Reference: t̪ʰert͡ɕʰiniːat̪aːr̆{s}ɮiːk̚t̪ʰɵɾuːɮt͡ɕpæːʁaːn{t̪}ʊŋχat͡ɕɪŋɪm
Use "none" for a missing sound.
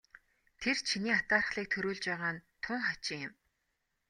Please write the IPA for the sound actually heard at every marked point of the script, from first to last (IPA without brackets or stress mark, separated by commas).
χ, t̪ʰ